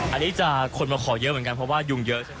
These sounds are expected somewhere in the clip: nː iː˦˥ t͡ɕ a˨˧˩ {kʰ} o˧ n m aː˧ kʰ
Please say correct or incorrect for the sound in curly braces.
correct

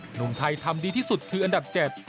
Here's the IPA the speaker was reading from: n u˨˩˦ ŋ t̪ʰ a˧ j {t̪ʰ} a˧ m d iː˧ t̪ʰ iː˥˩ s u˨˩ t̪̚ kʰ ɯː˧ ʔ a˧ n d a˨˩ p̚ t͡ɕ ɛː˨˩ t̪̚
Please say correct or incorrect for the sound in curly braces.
correct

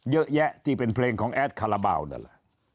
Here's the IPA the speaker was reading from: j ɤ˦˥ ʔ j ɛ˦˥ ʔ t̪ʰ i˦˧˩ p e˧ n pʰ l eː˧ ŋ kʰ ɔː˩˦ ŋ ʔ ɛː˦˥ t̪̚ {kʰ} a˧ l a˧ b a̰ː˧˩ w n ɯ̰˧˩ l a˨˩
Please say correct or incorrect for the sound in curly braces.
correct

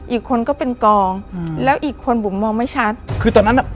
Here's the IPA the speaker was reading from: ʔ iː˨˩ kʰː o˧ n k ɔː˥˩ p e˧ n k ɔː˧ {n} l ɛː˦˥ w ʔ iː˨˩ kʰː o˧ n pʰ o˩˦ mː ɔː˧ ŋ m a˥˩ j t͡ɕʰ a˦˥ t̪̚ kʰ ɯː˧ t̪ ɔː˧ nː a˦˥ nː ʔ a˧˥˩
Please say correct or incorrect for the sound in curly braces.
incorrect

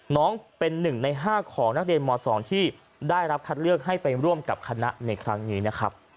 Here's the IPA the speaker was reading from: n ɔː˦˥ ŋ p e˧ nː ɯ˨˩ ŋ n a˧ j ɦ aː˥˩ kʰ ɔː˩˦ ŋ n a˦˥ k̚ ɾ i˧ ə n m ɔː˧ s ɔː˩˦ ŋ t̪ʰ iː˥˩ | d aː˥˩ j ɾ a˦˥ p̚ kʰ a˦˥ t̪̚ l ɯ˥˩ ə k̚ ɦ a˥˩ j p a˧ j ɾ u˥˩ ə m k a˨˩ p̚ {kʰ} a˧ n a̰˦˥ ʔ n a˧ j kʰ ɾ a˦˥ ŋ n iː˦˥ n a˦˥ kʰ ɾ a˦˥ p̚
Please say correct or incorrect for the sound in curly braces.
correct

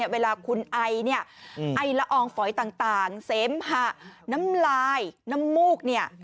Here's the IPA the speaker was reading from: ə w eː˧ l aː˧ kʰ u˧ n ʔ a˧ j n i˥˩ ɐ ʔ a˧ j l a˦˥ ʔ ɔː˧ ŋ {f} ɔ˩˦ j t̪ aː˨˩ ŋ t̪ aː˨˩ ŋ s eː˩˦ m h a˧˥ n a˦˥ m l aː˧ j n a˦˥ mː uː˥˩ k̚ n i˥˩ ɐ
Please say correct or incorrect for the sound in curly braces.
correct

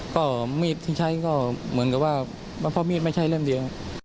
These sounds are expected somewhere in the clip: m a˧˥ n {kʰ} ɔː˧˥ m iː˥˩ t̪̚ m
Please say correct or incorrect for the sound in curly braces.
incorrect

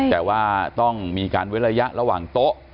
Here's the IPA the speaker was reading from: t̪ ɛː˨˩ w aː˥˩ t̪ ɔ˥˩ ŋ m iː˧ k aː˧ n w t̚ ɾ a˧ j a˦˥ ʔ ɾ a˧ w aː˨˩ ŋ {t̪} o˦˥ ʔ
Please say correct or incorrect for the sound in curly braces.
correct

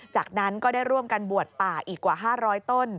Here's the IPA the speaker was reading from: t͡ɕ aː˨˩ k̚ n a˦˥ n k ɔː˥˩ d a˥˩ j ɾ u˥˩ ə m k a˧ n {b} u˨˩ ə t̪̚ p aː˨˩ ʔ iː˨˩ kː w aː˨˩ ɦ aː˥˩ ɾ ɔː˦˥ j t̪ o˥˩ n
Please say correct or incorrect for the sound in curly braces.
correct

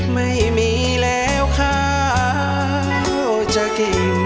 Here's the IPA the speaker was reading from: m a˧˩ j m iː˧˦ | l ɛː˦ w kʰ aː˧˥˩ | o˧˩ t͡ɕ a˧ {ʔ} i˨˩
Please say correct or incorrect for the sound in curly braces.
incorrect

